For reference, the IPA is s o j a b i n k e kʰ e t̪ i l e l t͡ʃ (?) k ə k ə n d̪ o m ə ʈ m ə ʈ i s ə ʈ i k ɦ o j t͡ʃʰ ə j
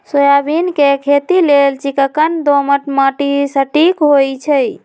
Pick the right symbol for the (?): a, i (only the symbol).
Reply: i